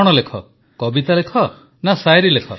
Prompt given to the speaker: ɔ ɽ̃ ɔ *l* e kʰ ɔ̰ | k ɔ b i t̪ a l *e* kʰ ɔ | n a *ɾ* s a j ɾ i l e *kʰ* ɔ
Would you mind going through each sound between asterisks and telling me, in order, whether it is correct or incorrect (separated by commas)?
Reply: correct, correct, incorrect, correct